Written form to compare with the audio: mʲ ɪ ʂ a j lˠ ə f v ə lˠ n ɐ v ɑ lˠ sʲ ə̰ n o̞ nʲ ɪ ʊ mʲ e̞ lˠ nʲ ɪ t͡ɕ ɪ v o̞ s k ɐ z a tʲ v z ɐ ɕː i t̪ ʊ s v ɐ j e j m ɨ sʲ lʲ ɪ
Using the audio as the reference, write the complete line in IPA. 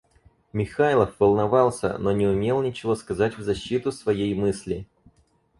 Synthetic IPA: mʲ ɪ x a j lˠ ə f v ə lˠ n ɐ v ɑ lˠ sʲ ə̰ n o̞ nʲ ɪ ʊ mʲ e̞ lˠ nʲ ɪ t͡ɕ ɪ v o̞ s k ɐ z a tʲ v z ɐ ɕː i t̪ ʊ s v ɐ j e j m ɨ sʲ lʲ ɪ